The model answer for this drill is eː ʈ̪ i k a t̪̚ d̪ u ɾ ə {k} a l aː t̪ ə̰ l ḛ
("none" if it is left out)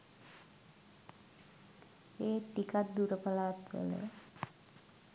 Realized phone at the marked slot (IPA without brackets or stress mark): p